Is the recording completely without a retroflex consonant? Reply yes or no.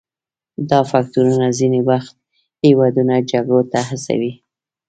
no